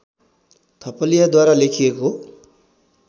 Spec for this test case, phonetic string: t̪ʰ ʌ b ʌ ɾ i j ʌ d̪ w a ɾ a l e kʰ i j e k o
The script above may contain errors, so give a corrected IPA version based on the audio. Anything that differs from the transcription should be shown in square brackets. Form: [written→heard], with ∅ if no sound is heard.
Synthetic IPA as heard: t̪ʰ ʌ [b→p] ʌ [ɾ→l] i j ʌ d̪ w a ɾ a l e kʰ i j e k o